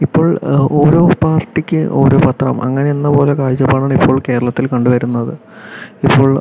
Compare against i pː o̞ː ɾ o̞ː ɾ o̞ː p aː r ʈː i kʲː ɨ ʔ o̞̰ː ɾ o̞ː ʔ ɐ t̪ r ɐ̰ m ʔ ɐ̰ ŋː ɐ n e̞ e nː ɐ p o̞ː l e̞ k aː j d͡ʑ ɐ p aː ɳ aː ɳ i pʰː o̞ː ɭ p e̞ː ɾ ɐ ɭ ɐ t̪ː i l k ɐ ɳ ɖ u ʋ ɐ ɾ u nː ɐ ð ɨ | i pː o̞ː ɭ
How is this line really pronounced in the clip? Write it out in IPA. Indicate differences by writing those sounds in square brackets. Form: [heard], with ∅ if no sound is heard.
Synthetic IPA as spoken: i pː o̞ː [ɭ] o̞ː ɾ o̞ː p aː r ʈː i kʲː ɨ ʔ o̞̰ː ɾ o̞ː [p] ɐ t̪ r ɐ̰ m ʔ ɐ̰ ŋː ɐ n e̞ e nː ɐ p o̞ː l e̞ k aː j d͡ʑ ɐ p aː ɳ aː ɳ i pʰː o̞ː ɭ [k] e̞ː ɾ ɐ ɭ ɐ t̪ː i l k ɐ ɳ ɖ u ʋ ɐ ɾ u nː ɐ ð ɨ | i pː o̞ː ɭ